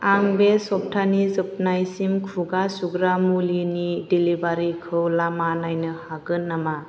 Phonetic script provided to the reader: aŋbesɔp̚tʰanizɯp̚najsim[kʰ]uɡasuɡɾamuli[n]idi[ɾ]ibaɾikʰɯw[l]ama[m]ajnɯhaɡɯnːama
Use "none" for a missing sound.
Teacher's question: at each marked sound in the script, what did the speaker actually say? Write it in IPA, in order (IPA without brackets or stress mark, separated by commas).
kʰ, n, l, l, n